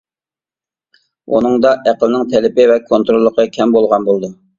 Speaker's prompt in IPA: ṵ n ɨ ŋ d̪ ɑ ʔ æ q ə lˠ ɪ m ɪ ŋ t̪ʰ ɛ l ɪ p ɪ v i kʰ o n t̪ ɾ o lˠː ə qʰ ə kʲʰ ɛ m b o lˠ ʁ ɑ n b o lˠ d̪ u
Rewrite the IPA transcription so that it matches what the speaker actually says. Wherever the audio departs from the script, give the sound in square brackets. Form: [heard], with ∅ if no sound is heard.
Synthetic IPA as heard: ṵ n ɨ ŋ d̪ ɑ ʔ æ q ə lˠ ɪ [n] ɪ ŋ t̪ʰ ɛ l ɪ p ɪ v [ɛ] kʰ o n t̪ ɾ o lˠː ə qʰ ə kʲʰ ɛ m b o lˠ ʁ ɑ n b o lˠ d̪ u